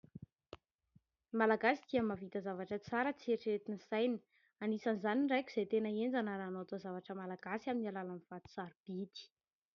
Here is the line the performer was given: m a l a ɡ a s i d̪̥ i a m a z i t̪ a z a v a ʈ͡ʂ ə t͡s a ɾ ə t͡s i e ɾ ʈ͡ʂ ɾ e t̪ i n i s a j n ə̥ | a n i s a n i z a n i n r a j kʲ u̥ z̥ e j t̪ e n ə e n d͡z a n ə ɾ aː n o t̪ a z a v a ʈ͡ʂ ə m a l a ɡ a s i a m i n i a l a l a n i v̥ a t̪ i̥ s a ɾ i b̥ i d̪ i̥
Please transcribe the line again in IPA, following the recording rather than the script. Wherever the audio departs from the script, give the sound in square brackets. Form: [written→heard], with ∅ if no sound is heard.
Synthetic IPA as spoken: m a l a ɡ a s i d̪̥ i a m a [z→v] i t̪ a z a v a ʈ͡ʂ ə t͡s a ɾ ə t͡s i e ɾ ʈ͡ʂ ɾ e t̪ i n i s a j n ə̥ | a n i s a n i z a n i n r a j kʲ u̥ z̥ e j t̪ e n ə e n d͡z a n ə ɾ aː n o t̪ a z a v a ʈ͡ʂ ə m a l a ɡ a s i a m i n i a l a l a n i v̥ a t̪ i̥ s a ɾ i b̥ i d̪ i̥